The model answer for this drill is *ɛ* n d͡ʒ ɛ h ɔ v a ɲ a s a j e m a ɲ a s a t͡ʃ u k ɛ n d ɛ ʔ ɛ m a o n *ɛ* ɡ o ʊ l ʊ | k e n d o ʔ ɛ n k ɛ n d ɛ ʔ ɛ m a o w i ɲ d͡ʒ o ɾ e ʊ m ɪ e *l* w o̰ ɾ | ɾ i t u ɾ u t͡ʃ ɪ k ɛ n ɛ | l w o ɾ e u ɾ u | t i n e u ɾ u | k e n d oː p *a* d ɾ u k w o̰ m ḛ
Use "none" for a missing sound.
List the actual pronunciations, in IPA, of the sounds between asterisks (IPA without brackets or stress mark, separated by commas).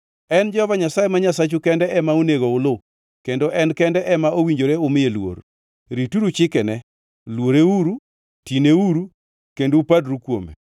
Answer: ɛ, e, l, a